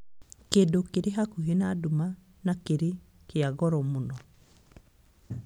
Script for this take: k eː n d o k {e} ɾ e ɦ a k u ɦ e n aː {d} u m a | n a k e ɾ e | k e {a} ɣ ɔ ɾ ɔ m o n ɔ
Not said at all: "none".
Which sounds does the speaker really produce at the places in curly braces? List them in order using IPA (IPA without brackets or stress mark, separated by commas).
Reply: e, d, a